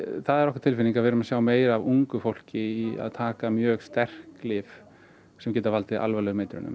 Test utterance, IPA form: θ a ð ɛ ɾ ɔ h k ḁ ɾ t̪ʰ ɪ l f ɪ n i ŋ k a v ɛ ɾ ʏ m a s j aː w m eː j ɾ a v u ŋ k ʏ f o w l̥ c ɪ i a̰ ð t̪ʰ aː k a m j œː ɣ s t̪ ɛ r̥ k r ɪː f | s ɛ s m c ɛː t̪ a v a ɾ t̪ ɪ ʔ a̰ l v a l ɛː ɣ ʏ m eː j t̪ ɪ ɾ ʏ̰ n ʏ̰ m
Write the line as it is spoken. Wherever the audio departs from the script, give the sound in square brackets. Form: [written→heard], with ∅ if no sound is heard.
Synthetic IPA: θ a ð ɛ ɾ ɔ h k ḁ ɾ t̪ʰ ɪ l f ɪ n i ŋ k a v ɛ ɾ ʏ m a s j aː w m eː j ɾ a v u ŋ k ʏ f o w l̥ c ɪ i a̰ ð t̪ʰ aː k a m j œː ɣ s t̪ ɛ r̥ k [r→l] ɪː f | s ɛ [s→∅] m c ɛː t̪ a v a [ɾ→l] t̪ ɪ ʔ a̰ l v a l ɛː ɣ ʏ m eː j t̪ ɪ ɾ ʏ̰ n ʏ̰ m